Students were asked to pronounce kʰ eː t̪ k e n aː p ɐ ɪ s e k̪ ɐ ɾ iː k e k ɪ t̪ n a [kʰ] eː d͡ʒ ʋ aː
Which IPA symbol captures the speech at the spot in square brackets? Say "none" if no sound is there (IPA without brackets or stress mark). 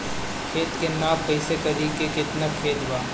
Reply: kʰ